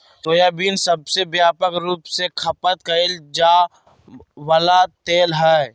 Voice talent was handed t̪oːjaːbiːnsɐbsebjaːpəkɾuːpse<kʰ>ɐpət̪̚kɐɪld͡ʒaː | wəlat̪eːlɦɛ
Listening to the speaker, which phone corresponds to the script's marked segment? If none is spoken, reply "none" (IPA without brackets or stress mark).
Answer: kʰ